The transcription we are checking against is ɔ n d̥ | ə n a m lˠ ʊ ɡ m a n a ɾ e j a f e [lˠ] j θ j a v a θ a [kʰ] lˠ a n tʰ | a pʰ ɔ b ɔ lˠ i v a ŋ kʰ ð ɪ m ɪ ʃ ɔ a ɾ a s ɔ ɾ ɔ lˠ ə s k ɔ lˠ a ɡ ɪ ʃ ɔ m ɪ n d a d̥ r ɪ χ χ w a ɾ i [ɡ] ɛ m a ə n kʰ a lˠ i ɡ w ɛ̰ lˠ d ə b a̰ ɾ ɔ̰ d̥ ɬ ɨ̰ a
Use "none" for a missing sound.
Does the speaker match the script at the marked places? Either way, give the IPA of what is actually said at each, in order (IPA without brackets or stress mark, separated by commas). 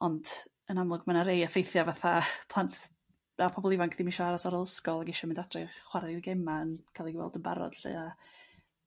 none, pʰ, ɡ